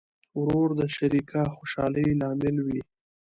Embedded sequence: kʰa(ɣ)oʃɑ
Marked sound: incorrect: x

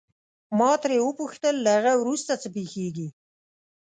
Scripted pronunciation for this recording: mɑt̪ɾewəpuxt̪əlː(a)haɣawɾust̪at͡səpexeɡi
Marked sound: correct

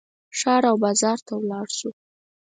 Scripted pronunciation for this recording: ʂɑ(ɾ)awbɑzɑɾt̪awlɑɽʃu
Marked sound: correct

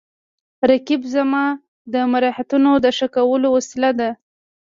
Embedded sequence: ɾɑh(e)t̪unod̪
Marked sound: incorrect: a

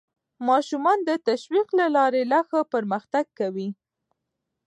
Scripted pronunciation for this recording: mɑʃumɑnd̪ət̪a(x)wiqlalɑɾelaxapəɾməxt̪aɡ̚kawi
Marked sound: incorrect: ʃ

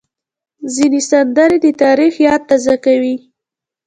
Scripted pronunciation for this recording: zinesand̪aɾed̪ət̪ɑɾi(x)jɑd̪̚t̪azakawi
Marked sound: correct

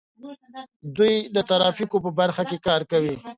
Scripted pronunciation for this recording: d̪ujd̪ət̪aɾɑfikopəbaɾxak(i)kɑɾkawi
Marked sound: incorrect: e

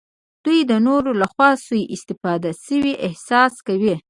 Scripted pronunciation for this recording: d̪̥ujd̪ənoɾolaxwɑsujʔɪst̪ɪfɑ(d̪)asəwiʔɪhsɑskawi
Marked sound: correct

